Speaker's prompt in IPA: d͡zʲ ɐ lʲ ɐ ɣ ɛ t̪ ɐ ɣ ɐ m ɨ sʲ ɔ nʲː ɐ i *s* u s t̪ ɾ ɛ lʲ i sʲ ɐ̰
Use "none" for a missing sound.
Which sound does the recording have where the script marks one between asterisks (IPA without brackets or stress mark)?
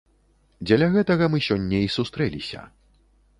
s